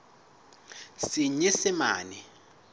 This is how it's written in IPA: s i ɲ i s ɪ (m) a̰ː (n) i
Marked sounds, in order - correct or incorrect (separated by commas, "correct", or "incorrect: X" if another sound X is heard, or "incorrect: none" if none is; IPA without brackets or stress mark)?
correct, correct